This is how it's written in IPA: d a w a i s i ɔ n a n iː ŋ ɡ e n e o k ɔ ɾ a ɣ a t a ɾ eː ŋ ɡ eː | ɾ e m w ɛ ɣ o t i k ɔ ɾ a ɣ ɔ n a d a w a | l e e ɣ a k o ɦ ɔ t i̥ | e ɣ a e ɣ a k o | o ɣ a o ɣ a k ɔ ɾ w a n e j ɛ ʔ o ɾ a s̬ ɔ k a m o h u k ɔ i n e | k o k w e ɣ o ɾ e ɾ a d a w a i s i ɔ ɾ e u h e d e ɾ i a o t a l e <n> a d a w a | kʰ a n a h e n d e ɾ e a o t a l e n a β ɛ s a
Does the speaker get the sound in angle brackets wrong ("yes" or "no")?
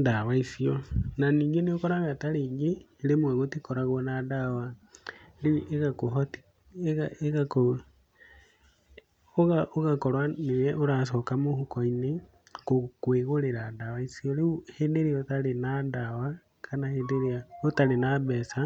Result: no